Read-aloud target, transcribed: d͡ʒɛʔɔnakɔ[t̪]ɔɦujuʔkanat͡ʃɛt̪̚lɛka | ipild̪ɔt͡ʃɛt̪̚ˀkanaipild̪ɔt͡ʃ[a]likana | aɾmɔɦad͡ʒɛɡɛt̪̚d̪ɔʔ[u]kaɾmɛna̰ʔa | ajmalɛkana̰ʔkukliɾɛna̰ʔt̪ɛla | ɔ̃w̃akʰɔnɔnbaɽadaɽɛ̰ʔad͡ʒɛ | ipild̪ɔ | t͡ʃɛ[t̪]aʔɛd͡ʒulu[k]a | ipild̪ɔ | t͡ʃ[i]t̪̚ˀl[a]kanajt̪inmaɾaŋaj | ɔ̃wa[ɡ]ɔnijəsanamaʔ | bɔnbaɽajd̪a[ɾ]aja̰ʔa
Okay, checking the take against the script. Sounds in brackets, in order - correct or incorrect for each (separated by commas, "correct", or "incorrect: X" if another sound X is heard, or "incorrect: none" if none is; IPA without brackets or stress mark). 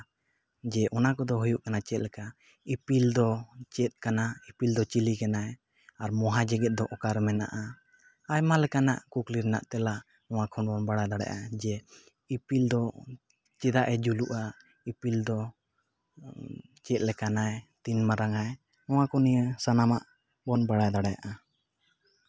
incorrect: d̪, incorrect: i, incorrect: ɔ, incorrect: d̪, incorrect: ʔ, incorrect: ɛ, incorrect: ɛ, incorrect: k, incorrect: ɽ